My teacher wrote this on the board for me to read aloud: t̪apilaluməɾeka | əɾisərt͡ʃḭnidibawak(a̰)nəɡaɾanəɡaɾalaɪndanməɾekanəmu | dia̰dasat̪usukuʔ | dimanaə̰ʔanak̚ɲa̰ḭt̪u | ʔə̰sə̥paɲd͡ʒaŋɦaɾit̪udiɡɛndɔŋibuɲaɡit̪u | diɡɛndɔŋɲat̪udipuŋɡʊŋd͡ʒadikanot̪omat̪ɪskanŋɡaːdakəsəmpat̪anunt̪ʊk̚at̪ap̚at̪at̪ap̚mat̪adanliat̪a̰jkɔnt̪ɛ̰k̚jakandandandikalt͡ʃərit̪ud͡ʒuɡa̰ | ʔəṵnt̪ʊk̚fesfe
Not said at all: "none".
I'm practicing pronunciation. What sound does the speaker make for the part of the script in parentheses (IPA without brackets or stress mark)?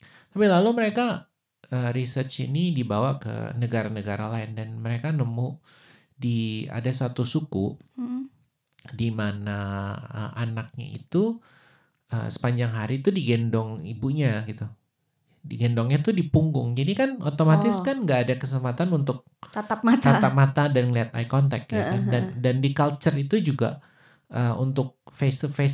ə̰